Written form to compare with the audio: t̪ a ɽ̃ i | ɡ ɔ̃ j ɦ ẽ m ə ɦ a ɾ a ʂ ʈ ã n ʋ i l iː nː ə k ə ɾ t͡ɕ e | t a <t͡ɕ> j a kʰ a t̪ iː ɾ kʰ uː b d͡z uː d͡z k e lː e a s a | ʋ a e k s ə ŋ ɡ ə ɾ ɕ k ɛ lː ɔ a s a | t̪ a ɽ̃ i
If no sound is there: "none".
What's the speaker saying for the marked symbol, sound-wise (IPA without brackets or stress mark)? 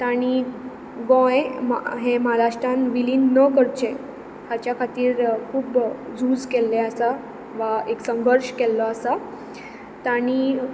t͡ɕ